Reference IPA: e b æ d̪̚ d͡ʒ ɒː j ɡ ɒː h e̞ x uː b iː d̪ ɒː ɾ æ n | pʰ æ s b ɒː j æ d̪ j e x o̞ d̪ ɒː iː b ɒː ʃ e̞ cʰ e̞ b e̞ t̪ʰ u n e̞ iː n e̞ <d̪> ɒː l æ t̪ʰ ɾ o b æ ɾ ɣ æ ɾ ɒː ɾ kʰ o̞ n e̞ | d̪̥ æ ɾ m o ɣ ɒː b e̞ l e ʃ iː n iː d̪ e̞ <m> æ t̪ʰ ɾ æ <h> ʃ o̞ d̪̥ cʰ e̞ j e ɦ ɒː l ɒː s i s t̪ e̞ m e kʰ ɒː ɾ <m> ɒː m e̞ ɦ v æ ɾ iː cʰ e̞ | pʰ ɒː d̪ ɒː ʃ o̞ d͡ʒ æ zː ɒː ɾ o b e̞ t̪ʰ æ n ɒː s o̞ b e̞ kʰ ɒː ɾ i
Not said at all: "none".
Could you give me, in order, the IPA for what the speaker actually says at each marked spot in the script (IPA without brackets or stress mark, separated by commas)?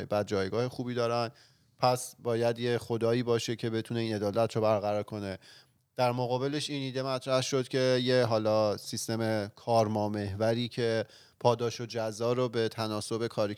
d̪, m, h, m